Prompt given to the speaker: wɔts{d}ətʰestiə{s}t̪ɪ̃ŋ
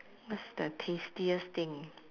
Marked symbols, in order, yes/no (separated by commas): yes, yes